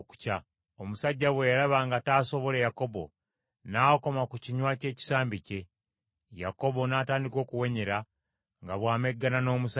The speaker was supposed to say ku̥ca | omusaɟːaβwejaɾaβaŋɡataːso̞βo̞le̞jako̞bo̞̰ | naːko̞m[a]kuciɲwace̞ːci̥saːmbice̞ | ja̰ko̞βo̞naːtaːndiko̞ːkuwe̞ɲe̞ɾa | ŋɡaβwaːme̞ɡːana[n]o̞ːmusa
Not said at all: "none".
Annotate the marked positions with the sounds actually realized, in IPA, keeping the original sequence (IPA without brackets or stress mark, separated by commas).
a, n